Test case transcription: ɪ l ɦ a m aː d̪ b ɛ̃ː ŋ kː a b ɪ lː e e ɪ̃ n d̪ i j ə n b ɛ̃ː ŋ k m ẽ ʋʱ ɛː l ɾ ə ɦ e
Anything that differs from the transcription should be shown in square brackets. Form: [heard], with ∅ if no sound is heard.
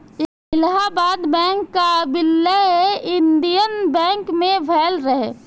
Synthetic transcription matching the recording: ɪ l ɦ a [b] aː d̪ b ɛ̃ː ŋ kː a b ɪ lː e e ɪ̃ n d̪ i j ə n b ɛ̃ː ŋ k m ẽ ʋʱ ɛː l ɾ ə ɦ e